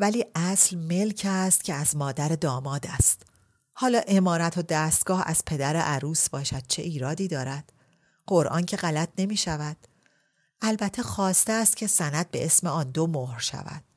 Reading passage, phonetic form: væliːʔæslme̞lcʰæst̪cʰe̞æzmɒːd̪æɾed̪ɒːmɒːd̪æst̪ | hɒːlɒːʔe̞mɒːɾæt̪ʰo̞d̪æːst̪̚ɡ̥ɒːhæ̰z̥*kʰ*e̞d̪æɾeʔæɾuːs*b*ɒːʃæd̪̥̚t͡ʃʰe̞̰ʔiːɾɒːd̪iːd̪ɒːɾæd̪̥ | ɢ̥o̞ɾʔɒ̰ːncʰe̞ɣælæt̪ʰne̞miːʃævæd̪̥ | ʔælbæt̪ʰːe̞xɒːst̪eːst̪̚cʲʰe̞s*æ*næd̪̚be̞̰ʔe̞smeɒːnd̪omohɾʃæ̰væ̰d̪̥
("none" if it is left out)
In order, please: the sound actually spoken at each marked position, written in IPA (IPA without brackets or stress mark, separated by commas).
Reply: pʰ, b, æ